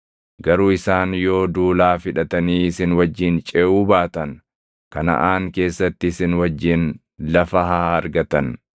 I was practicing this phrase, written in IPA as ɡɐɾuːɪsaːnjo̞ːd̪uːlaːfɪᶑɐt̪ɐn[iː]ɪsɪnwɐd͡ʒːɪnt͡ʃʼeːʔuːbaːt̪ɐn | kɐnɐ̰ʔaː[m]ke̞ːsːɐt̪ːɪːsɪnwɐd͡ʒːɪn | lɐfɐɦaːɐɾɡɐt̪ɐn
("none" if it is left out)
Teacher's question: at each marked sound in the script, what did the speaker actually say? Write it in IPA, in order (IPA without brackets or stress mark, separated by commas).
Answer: iː, ŋ